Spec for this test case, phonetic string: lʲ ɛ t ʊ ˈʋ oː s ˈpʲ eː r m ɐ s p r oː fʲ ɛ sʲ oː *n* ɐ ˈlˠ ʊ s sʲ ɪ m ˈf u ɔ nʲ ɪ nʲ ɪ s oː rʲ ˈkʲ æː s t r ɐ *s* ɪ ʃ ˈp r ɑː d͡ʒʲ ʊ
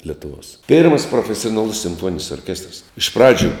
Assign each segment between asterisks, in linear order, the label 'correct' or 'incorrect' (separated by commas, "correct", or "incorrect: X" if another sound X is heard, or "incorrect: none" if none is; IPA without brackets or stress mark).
correct, correct